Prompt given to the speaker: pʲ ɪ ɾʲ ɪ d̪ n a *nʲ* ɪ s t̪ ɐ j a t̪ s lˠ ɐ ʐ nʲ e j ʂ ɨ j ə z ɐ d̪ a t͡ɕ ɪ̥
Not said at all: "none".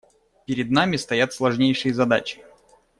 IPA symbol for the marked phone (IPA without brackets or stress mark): mʲ